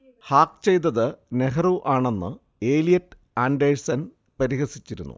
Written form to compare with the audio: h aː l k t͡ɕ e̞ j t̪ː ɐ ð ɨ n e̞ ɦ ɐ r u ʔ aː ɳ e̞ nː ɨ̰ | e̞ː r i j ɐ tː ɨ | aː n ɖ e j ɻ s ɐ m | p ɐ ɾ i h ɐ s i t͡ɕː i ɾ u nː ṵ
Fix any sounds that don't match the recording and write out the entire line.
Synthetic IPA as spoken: h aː k t͡ɕ e̞ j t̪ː ɐ ð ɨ n e̞ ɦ ɐ r u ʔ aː ɳ e̞ nː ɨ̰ | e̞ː l i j ɐ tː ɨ | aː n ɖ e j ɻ s ɐ n | p ɐ ɾ i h ɐ s i t͡ɕː i ɾ u nː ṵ